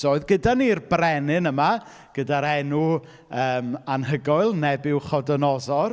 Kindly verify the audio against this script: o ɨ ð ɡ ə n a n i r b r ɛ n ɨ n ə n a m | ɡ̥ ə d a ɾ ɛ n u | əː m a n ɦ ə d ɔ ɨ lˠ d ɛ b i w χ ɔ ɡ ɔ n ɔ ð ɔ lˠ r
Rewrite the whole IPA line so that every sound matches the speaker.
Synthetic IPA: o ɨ ð ɡ ə d a n i r b r ɛ n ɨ n ə m a | ɡ̥ ə d a ɾ ɛ n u | əː m a n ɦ ə ɡ ɔ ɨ lˠ n ɛ b ɪ w χ ɔ d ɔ n ɔ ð ɔ r

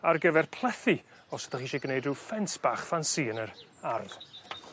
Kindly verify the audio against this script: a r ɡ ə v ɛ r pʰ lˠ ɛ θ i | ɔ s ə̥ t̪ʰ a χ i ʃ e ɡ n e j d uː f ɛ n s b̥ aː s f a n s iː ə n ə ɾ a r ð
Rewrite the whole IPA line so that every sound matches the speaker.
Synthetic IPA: a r ɡ ə v ɛ r pʰ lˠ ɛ θ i | ɔ s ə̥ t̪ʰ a χ i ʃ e ɡ n e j d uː f ɛ n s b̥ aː χ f a n s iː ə n ə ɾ a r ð

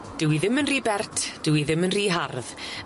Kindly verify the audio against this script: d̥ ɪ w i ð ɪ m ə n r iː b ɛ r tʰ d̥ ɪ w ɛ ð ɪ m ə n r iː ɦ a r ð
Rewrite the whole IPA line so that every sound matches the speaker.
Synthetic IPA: d̥ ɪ w i ð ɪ m ə n r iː b ɛ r tʰ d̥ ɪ w i ð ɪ m ə n r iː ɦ a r ð

